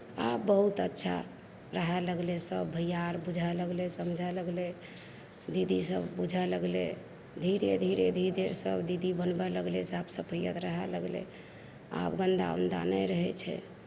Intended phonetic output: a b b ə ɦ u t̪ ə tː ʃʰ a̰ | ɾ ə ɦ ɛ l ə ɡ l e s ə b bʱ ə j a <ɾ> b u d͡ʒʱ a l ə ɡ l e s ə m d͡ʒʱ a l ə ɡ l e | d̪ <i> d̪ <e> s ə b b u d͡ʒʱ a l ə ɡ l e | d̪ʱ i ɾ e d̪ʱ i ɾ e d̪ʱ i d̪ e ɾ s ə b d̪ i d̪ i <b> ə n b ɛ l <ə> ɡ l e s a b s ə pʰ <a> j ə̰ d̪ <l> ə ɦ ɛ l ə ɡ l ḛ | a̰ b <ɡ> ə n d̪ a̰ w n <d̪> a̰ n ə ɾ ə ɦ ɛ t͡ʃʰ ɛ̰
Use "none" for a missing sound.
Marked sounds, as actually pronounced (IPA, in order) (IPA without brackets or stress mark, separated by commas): ɾ, i, i, b, ə, ə, ɾ, ɡ, d̪